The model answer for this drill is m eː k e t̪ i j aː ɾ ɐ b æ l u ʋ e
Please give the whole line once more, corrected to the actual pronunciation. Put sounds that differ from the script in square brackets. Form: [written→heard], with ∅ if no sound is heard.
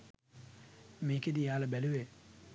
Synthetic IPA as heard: m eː k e [t̪→d̪] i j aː [ɾ→l] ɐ b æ l u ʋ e

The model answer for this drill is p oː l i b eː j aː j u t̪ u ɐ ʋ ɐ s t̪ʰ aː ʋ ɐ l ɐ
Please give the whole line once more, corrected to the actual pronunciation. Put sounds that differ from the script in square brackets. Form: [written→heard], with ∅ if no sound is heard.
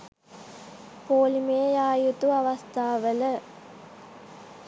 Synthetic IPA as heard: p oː l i [b→m] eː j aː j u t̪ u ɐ ʋ ɐ s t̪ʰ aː ʋ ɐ l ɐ

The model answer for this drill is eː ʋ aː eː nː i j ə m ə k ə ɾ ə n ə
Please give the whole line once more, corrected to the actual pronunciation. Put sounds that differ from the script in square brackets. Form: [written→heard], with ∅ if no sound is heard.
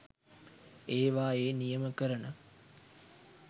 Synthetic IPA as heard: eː ʋ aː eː [nː→n] i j ə m ə k ə ɾ ə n ə

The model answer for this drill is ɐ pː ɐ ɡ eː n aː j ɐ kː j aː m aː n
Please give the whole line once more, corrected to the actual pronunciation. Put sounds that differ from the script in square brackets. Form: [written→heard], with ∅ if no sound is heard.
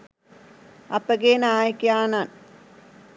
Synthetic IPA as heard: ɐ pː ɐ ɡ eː n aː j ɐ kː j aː [m→n] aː n

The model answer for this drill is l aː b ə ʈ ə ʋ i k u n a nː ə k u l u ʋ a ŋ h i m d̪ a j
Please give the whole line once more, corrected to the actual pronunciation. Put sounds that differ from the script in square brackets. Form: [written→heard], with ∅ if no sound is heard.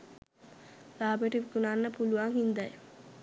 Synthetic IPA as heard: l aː b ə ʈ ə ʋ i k u n a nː ə [k→p] u l u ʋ a ŋ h i [m→n] d̪ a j

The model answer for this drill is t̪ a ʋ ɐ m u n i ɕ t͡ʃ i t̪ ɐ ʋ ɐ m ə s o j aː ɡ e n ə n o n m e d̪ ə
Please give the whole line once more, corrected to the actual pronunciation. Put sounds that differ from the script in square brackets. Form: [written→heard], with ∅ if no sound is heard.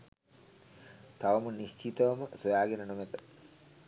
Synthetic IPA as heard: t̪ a ʋ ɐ m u n i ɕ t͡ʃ i t̪ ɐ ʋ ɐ m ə s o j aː ɡ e n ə n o [n→∅] m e [d̪→t̪] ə

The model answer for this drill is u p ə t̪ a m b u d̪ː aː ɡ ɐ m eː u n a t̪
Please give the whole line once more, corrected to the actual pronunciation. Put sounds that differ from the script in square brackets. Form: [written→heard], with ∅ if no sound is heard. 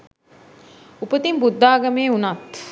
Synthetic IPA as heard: u p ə t̪ [a→i] m b u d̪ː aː ɡ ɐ m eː u n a t̪

